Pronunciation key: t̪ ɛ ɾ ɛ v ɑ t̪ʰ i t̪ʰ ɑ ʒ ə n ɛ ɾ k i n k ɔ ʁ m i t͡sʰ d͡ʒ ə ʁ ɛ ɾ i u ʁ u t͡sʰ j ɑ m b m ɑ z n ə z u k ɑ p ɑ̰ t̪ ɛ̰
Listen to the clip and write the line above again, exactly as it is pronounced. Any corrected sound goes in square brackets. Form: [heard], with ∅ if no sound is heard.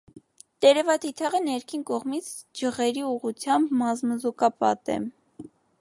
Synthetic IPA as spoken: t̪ ɛ ɾ ɛ v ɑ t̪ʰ i t̪ʰ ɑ [ʁ] ə n ɛ ɾ [kʰ] i n k ɔ ʁ m i t͡sʰ d͡ʒ ə ʁ ɛ ɾ i u ʁ u t͡sʰ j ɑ m b m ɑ z [m] ə z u k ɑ p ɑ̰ t̪ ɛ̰

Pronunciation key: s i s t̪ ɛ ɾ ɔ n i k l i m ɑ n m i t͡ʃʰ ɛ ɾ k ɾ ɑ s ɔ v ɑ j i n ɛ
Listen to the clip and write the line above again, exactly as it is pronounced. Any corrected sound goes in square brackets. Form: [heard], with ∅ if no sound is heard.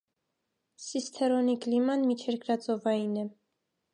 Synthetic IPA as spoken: s i s [t̪ʰ] ɛ ɾ ɔ n i k l i m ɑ n m i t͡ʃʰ ɛ ɾ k ɾ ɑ [t͡s] ɔ v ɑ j i n ɛ

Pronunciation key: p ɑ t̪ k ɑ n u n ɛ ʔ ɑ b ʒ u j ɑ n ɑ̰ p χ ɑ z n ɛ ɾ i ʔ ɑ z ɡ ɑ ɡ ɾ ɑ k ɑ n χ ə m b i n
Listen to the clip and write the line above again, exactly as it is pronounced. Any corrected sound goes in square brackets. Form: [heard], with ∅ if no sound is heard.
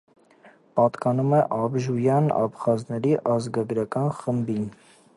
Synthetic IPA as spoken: p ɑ t̪ k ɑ n u [m] ɛ ʔ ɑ b ʒ u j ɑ n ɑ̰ p χ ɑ z n ɛ ɾ i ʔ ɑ z ɡ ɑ ɡ ɾ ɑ k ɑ n χ ə m b i n

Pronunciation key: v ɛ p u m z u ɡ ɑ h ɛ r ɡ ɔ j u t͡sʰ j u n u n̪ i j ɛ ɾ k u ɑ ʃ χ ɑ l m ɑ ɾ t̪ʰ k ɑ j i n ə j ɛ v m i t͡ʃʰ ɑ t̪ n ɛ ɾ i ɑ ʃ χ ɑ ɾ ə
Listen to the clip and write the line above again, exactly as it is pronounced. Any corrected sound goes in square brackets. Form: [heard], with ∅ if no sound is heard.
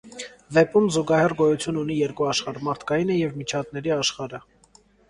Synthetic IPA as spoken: v ɛ p u m z u ɡ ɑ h ɛ r ɡ ɔ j u t͡sʰ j u n u n̪ i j ɛ ɾ k u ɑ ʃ χ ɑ [ɾ] m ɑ ɾ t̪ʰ k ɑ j i n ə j ɛ v m i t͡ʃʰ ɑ t̪ n ɛ ɾ i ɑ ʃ χ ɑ ɾ ə

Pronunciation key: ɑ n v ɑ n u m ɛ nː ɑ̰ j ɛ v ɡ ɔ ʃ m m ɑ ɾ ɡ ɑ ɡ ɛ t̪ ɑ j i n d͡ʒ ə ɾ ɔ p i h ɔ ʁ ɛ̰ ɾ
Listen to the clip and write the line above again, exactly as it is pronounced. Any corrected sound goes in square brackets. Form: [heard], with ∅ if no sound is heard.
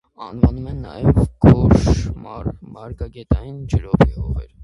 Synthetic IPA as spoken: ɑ n v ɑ n u m ɛ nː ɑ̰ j ɛ v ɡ ɔ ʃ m m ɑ ɾ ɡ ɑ ɡ ɛ t̪ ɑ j i n d͡ʒ ə ɾ ɔ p i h ɔ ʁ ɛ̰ ɾ

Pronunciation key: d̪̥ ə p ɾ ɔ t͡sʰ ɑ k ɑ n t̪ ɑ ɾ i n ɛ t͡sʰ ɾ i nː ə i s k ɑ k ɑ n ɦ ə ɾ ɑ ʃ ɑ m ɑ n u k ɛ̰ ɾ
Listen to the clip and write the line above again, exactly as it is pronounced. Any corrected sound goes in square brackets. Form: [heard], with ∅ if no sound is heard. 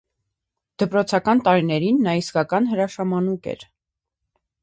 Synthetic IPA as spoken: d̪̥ ə p ɾ ɔ t͡sʰ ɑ k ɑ n t̪ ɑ ɾ i n ɛ [∅] ɾ i nː [ɑ] i s k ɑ k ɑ n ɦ ə ɾ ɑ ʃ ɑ m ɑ n u k ɛ̰ ɾ

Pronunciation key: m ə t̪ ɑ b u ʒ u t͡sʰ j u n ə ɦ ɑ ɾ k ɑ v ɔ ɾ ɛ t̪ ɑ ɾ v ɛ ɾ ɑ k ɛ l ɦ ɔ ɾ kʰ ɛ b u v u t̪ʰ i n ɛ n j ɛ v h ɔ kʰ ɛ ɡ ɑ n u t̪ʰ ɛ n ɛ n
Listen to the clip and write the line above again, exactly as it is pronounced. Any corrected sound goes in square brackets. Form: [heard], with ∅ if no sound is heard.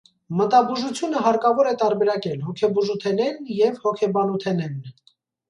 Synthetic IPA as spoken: m ə t̪ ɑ b u ʒ u t͡sʰ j u n ə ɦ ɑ ɾ k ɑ v ɔ ɾ ɛ t̪ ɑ ɾ [b] ɛ ɾ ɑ k ɛ l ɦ ɔ [∅] kʰ ɛ b u [ʒ] u t̪ʰ [ɛ] n ɛ n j ɛ v h ɔ kʰ ɛ [b] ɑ n u t̪ʰ ɛ n ɛ n

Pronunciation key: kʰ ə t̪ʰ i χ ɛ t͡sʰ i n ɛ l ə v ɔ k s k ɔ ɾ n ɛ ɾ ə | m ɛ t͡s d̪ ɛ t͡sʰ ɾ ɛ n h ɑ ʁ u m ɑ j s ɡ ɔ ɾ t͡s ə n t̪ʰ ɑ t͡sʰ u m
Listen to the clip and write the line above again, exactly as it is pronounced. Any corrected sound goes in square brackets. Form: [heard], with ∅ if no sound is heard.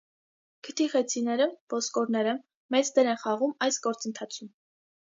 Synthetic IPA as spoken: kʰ ə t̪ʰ i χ ɛ t͡sʰ i n ɛ [ɾ] ə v ɔ [∅] s k ɔ ɾ n ɛ ɾ ə | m ɛ t͡s d̪ ɛ [∅] ɾ ɛ n [χ] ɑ ʁ u m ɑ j s ɡ ɔ ɾ t͡s ə n t̪ʰ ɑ t͡sʰ u m

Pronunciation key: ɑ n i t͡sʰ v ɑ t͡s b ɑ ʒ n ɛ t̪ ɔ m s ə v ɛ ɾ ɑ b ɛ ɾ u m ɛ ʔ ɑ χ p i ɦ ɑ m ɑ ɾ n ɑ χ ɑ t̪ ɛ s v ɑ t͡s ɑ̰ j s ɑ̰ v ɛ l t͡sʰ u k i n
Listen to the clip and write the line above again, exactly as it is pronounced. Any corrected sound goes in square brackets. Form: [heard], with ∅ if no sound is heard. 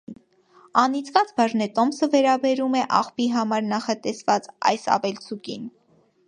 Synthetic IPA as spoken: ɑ n i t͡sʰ v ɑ t͡s b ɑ ʒ n ɛ t̪ ɔ m s ə v ɛ ɾ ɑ b ɛ ɾ u m ɛ ʔ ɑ χ p i ɦ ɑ m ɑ ɾ n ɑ χ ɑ t̪ ɛ s v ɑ t͡s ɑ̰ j s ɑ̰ v ɛ l t͡sʰ u k i n

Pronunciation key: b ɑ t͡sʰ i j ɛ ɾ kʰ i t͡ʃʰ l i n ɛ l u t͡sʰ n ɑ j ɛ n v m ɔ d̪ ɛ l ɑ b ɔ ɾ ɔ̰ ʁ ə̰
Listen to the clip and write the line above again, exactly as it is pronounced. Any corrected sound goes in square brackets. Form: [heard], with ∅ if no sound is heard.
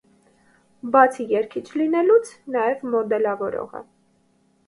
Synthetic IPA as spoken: b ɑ t͡sʰ i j ɛ ɾ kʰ i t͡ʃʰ l i n ɛ l u t͡sʰ n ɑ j ɛ [∅] v m ɔ d̪ ɛ l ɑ [v] ɔ ɾ ɔ̰ ʁ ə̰

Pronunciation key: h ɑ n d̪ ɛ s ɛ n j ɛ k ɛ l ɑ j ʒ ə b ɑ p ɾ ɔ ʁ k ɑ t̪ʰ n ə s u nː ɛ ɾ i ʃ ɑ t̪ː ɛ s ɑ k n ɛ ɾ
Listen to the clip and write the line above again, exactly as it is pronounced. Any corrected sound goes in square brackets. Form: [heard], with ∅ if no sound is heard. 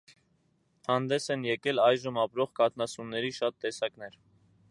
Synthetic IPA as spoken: h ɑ n d̪ ɛ s ɛ n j ɛ k ɛ l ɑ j ʒ ə [m] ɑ p ɾ ɔ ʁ k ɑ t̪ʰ n [ɑ] s u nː ɛ ɾ i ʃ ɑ t̪ː ɛ s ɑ k n ɛ ɾ

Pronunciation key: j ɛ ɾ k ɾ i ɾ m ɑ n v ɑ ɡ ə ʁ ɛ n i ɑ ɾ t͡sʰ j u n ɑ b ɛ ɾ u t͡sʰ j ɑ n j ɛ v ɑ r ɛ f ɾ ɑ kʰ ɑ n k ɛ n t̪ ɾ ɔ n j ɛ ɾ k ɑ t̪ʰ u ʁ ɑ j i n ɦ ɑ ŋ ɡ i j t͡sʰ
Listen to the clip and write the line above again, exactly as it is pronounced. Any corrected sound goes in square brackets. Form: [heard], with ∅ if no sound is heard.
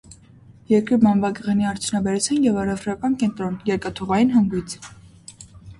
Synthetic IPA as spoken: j ɛ ɾ k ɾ i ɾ m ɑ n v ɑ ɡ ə ʁ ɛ n i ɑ ɾ t͡sʰ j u n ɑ b ɛ ɾ u t͡sʰ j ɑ n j ɛ v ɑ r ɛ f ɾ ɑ [k] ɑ n k ɛ n t̪ ɾ ɔ n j ɛ ɾ k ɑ t̪ʰ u ʁ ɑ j i n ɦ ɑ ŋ ɡ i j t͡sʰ

